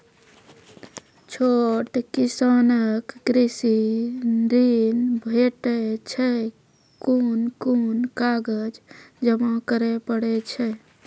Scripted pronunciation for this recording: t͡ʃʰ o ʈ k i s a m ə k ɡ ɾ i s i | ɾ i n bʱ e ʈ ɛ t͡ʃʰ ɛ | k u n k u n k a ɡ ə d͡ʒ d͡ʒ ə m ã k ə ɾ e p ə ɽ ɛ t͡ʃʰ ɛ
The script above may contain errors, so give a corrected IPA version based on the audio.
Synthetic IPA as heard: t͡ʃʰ o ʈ k i s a n ə k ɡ ɾ i s i | ɾ i n bʱ e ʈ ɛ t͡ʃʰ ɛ | k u n k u n k a ɡ ə d͡ʒ d͡ʒ ə m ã k ə ɾ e p ə ɽ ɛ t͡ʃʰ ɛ